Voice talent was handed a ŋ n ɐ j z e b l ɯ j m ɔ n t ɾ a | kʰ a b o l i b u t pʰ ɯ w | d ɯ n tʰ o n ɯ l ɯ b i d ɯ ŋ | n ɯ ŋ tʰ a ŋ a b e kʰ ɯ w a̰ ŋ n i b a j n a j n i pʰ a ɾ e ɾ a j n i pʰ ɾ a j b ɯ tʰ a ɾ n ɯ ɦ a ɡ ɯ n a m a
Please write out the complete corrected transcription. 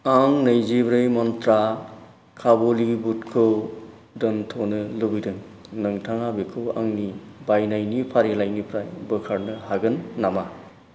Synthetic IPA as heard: a ŋ n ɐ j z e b ɾ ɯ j m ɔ n t ɾ a | kʰ a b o l i b u t kʰ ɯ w | d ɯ n tʰ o n ɯ l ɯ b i d ɯ ŋ | n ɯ ŋ tʰ a ŋ a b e kʰ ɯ w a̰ ŋ n i b a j n a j n i pʰ a ɾ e l a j n i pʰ ɾ a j b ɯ kʰ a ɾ n ɯ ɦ a ɡ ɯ nː a m a